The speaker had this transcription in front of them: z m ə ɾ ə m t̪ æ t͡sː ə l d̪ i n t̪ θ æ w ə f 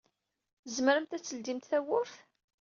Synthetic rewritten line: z m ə ɾ ə m t̪ æ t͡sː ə l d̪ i m t̪ θ æ w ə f